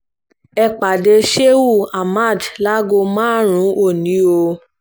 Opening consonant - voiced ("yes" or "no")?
no